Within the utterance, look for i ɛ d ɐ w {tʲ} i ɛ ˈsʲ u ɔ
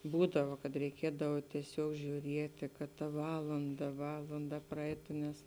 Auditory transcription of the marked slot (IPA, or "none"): tʲ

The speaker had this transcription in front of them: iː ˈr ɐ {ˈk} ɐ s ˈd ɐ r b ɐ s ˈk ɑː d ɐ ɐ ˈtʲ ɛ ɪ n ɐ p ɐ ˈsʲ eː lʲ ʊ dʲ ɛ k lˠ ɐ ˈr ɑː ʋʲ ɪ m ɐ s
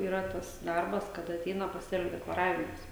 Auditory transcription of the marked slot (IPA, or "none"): t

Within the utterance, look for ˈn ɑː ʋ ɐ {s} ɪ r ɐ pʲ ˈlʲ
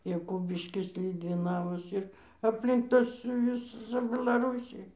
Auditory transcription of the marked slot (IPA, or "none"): s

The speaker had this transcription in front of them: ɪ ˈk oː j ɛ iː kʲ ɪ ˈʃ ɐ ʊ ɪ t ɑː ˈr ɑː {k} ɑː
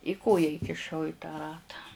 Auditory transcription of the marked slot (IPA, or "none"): t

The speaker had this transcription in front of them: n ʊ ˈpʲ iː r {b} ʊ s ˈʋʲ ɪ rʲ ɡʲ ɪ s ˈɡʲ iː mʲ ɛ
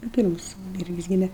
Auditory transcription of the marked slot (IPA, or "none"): m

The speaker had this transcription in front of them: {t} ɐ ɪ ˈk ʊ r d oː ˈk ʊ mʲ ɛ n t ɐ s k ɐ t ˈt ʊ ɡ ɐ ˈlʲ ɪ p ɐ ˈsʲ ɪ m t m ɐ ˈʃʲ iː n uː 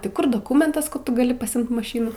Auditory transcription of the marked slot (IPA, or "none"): t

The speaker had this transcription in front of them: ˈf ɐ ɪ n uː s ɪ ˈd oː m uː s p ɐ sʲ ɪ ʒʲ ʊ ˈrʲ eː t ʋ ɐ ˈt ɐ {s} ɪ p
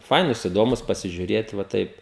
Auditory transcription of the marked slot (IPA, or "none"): none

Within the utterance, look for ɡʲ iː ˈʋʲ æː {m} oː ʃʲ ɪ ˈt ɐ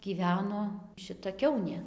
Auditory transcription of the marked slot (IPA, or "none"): n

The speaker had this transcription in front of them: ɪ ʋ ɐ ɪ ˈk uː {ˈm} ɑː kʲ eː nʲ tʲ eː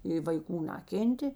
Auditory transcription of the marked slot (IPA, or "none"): n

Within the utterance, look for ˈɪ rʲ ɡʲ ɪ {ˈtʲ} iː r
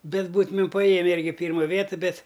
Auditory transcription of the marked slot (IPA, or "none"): pʲ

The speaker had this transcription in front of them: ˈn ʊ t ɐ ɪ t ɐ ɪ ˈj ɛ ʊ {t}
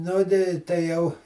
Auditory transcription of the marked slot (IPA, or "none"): none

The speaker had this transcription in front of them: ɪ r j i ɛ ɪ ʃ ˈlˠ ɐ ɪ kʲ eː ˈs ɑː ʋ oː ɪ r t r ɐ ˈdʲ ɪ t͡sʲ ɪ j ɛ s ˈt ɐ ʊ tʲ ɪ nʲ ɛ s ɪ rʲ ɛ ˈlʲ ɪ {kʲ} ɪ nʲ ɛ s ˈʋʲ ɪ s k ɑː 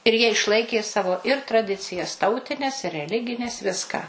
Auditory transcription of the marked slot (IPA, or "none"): ɡʲ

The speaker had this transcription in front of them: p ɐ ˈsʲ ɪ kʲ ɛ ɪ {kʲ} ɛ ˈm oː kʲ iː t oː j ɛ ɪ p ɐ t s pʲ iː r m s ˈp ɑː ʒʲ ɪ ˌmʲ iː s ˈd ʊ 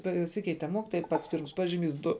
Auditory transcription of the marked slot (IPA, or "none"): tʲ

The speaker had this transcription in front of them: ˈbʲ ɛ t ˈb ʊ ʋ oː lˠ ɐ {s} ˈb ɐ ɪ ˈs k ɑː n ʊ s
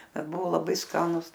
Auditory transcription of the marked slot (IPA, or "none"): none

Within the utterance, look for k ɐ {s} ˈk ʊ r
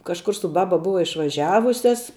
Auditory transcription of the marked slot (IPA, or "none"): ʃ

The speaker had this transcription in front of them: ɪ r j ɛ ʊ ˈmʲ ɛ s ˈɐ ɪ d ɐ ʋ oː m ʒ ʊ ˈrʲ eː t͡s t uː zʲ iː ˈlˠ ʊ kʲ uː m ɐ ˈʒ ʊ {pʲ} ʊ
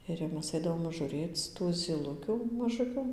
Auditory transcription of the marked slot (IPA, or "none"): kʲ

